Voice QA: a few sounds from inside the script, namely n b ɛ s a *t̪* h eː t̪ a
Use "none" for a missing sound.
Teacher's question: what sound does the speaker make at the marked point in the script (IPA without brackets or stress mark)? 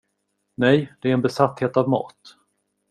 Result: t̪